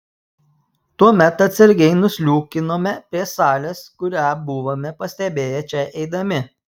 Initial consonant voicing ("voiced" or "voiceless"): voiceless